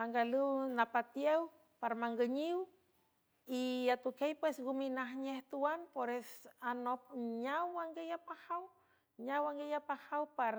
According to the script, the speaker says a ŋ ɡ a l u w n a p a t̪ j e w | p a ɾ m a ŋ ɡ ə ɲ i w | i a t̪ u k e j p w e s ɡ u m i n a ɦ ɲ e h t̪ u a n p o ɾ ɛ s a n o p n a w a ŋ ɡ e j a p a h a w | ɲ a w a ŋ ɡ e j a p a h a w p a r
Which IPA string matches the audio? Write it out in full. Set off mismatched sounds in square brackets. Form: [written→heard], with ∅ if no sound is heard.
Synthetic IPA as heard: a ŋ ɡ a l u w n a p a t̪ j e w | p a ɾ m a ŋ ɡ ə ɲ i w | i a t̪ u k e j p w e s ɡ u m i n a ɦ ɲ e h t̪ u a n p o ɾ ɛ s a n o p [n→ɲ] a w a ŋ ɡ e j a p a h a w | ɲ a w a ŋ ɡ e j a p a h a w p a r

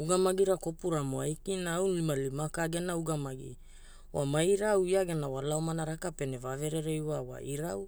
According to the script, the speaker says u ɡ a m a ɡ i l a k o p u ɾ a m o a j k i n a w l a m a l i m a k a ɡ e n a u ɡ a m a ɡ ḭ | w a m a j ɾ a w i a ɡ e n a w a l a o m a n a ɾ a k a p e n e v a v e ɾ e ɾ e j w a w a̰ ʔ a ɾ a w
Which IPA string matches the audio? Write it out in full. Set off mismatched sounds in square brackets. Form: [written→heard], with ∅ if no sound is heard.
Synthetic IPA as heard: u ɡ a m a ɡ i [l→ɾ] a k o p u ɾ a m o a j k i n a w l [a→i] m a l i m a k a ɡ e n a u ɡ a m a ɡ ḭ | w a m a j ɾ a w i a ɡ e n a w a l a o m a n a ɾ a k a p e n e v a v e ɾ e ɾ e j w a w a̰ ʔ [a→i] ɾ a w

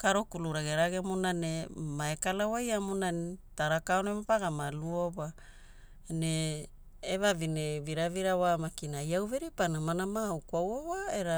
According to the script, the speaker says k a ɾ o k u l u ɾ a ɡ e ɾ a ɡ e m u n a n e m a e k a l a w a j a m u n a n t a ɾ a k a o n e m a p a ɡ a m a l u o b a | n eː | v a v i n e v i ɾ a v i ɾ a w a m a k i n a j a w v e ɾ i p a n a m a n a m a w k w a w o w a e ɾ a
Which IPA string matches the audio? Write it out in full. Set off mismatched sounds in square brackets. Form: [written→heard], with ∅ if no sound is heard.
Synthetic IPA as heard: k a ɾ o k u l u ɾ a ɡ e ɾ a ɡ e m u n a n e m a e k a l a w a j a m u n a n t a ɾ a k a o n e m a p a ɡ a m a l u o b a | n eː | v a v i n e v i ɾ a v i ɾ a w a m a k i n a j a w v e ɾ i p a n a m a n a m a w k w a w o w a e ɾ a

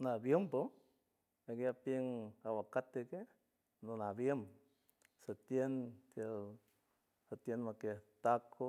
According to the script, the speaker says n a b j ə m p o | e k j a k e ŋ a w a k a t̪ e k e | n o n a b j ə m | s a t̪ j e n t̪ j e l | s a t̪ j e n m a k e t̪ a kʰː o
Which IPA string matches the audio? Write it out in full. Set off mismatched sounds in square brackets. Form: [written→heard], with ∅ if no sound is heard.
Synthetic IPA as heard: n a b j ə m p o | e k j a [k→p] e ŋ a w a k a t̪ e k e | n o n a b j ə m | s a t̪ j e n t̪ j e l | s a t̪ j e n m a k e t̪ a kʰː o

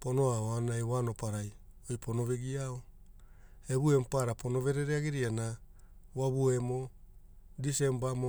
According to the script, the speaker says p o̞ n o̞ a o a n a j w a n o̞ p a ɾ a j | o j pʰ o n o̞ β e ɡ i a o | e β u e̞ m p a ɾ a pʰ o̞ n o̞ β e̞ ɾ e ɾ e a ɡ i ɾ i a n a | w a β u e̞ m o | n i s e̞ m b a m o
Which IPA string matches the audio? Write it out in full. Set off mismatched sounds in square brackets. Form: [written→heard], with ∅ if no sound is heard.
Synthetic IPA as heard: p o̞ n o̞ a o a n a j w a n o̞ p a ɾ a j | o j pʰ o n o̞ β e ɡ i a o | e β u e̞ m p a ɾ a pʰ o̞ n o̞ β e̞ ɾ e ɾ e a ɡ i ɾ i a n a | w a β u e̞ m o | [n→d] i s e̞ m b a m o

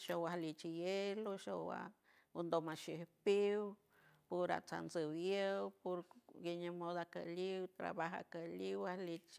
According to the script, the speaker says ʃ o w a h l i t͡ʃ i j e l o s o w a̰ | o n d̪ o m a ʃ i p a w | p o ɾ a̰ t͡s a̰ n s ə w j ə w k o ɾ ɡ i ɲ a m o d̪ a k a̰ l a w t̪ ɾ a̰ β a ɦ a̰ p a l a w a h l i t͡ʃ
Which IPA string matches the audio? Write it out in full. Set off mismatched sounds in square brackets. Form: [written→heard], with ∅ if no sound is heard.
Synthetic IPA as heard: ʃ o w a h l i t͡ʃ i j e l o [s→ʃ] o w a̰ | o n d̪ o m a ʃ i p [a→i] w | p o ɾ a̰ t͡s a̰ n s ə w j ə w [k→p] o ɾ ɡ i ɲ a m o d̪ a k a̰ l [a→i] w t̪ ɾ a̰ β a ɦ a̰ [p→k] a l [a→i] w a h l i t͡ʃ

